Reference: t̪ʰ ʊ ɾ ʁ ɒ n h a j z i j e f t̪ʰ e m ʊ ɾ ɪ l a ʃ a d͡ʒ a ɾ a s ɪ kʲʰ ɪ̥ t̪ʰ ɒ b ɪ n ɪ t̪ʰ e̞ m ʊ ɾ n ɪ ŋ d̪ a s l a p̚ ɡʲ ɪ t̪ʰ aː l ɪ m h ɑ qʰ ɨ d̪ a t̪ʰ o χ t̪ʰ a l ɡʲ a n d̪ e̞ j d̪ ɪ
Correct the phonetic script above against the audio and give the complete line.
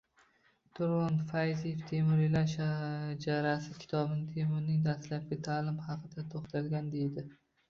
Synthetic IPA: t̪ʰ ʊ ɾ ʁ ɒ n f a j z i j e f t̪ʰ e m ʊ ɾ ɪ l a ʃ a d͡ʒ a ɾ a s ɪ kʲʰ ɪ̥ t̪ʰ ɒ b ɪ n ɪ t̪ʰ e̞ m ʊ ɾ n ɪ ŋ d̪ a s l a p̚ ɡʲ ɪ t̪ʰ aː l ɪ m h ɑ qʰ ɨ d̪ a t̪ʰ o χ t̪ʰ a l ɡʲ a n d̪ e̞ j d̪ ɪ